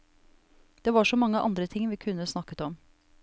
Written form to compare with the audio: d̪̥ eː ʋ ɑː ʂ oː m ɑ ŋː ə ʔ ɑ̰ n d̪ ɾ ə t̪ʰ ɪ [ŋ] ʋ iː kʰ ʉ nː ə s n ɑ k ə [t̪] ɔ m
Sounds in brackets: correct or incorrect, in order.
correct, correct

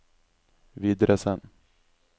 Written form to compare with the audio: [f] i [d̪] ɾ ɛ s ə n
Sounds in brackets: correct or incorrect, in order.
incorrect: v, correct

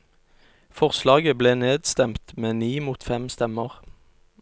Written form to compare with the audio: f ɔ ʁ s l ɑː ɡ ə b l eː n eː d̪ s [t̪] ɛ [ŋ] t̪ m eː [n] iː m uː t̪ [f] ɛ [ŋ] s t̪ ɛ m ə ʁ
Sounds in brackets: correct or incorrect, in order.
correct, incorrect: m, correct, correct, incorrect: m

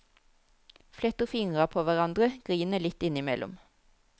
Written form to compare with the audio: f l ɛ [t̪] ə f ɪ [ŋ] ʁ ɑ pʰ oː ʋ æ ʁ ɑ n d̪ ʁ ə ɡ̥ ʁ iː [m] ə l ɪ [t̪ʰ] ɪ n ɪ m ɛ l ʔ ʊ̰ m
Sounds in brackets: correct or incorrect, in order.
correct, correct, incorrect: n, incorrect: t̪

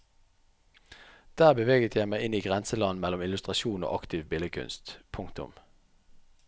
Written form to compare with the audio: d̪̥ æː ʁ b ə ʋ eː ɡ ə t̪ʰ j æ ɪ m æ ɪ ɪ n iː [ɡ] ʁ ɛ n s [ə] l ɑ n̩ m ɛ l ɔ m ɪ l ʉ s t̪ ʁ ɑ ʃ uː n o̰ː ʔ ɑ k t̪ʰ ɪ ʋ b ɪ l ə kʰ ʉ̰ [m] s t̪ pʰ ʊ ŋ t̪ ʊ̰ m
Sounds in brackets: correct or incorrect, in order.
correct, correct, incorrect: n

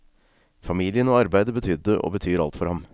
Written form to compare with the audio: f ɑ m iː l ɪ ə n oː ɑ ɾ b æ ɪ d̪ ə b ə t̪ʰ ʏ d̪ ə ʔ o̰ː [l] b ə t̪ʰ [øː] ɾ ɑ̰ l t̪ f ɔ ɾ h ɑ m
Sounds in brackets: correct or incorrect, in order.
incorrect: none, incorrect: yː

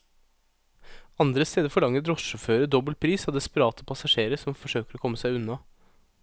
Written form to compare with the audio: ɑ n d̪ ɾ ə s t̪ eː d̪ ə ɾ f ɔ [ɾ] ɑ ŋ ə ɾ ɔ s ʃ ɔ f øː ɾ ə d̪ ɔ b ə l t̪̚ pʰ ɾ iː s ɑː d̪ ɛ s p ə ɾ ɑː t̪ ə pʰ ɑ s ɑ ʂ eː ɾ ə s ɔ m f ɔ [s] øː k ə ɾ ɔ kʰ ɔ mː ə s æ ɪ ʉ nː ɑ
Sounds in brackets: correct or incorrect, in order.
incorrect: ɭ, incorrect: ʂ

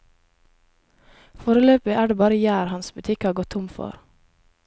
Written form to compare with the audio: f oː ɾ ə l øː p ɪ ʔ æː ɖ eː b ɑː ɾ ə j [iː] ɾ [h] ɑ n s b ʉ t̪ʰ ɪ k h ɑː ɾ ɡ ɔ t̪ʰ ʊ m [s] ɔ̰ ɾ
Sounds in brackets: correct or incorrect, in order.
incorrect: æː, correct, incorrect: f

